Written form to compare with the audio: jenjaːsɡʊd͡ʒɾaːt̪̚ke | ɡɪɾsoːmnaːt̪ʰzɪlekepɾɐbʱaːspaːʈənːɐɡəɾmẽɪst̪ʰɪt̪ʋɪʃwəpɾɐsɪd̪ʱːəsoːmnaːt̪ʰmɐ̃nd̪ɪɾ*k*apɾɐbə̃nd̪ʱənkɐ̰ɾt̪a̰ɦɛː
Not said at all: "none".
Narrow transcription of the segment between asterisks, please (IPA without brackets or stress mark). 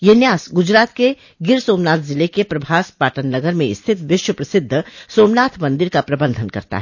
k